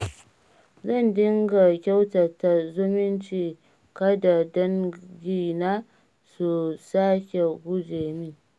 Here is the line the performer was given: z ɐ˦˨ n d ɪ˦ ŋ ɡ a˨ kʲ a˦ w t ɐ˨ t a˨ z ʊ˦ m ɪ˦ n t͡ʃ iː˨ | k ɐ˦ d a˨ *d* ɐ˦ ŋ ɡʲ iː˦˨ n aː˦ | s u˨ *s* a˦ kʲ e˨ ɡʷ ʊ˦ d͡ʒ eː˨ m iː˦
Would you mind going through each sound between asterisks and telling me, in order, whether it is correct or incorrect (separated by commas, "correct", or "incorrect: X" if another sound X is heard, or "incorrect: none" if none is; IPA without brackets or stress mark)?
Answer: correct, correct